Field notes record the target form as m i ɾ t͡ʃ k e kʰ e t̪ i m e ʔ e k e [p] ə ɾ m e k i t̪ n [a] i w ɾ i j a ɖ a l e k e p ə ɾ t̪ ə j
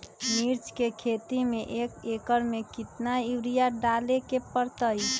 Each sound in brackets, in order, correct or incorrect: incorrect: k, correct

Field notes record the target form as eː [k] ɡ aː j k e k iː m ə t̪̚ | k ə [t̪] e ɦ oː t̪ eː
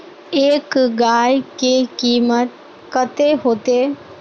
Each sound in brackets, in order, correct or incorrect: correct, correct

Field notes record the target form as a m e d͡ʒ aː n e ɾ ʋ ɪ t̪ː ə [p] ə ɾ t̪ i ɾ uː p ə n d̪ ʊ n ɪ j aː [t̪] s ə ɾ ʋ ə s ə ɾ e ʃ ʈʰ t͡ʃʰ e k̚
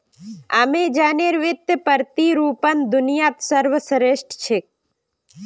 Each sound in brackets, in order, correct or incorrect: correct, correct

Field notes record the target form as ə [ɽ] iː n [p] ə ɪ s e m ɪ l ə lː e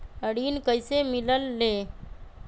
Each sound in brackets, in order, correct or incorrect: correct, incorrect: k

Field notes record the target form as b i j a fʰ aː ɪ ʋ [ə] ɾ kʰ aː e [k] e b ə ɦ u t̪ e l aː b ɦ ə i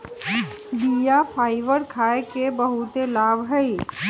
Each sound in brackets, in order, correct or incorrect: correct, correct

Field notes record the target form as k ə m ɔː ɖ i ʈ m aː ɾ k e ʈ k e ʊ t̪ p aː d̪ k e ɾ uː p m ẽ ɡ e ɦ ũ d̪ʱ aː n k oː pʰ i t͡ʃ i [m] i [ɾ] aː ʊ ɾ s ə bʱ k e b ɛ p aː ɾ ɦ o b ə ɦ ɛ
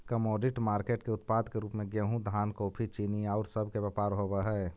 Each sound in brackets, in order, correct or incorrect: incorrect: n, incorrect: none

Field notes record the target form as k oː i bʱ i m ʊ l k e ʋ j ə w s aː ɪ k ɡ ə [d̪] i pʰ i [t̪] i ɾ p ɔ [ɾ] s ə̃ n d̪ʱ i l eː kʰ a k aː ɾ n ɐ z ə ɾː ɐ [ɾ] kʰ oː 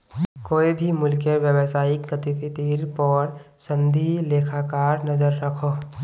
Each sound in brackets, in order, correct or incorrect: incorrect: t̪, correct, correct, incorrect: none

